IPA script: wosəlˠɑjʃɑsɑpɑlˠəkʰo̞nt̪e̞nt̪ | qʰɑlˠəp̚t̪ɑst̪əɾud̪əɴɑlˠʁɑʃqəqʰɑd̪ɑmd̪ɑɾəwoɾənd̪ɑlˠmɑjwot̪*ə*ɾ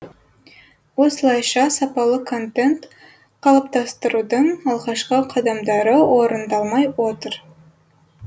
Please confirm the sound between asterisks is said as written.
yes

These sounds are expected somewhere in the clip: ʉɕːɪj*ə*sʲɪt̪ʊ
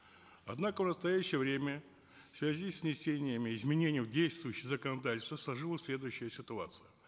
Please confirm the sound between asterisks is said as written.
yes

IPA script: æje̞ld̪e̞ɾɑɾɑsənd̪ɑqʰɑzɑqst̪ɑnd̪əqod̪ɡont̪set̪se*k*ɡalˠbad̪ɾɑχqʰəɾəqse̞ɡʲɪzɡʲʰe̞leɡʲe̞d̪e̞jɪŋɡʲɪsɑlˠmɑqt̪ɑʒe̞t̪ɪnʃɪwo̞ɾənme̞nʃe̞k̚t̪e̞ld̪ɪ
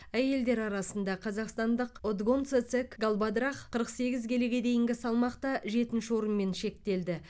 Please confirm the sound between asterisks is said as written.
yes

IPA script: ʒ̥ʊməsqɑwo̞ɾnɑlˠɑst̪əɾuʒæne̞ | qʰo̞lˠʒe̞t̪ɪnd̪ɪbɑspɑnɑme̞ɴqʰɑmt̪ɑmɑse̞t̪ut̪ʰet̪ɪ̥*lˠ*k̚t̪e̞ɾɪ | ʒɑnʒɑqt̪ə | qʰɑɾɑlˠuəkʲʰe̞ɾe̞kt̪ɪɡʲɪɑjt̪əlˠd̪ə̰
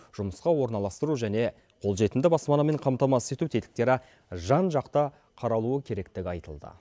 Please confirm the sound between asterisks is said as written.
no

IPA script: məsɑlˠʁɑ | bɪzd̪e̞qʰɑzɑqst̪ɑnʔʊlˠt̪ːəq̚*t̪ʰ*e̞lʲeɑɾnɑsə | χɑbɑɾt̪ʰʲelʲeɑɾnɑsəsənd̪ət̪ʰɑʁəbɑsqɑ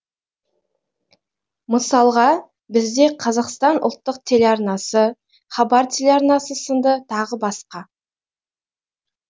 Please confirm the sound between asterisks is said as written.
yes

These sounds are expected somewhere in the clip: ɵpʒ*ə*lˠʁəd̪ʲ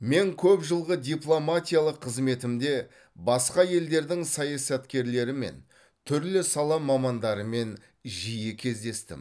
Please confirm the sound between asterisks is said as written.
yes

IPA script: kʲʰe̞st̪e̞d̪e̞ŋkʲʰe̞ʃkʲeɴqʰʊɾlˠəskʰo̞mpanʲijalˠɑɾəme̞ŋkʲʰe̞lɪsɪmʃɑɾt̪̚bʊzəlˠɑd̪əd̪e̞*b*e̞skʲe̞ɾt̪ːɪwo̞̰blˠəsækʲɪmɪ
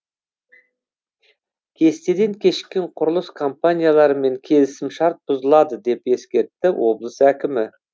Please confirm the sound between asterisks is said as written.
no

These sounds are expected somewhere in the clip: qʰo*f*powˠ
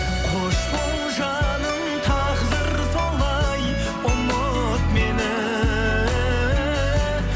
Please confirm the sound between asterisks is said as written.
no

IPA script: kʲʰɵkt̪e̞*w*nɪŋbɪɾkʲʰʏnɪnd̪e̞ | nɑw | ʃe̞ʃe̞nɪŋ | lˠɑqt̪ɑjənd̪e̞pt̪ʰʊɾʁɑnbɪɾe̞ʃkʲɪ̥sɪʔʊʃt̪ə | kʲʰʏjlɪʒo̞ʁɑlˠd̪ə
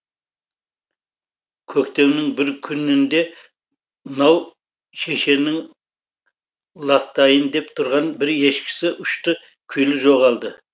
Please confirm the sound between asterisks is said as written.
yes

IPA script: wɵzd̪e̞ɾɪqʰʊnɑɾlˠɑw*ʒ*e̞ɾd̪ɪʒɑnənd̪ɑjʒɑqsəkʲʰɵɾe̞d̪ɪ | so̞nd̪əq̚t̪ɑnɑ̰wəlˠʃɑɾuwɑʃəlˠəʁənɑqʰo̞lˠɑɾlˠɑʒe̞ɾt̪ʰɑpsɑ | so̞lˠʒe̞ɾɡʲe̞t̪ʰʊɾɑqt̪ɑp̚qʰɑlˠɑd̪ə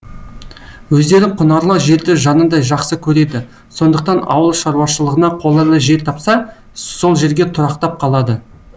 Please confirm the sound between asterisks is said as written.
yes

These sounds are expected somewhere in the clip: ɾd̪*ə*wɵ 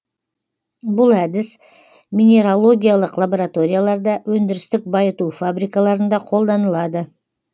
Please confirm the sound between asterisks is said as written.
no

